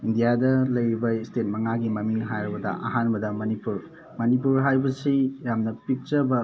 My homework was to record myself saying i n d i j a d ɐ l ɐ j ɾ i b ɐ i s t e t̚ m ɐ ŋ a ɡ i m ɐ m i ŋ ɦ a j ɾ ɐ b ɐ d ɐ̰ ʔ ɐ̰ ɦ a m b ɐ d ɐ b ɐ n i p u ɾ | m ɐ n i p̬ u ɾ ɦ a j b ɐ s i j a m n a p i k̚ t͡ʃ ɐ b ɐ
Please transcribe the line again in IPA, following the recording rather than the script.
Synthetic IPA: i n d i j a d ɐ l ɐ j ɾ i b ɐ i s t e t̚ m ɐ ŋ a ɡ i m ɐ m i ŋ ɦ a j ɾ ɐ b ɐ d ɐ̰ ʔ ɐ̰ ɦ a n b ɐ d ɐ m ɐ n i p u ɾ | m ɐ n i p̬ u ɾ ɦ a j b ɐ s i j a m n ɐ p i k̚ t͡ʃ ɐ b ɐ